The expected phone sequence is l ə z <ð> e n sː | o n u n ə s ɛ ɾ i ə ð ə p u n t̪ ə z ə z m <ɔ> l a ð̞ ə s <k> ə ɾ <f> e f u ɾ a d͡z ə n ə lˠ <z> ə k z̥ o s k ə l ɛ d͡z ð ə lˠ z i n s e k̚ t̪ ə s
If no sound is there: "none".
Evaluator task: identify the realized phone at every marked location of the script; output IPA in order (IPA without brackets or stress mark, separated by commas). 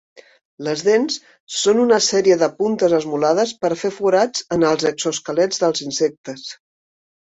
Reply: ð, u, p, f, z